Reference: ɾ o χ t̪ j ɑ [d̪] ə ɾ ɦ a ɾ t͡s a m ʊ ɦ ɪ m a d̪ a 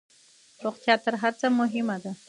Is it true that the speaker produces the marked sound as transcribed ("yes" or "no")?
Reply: no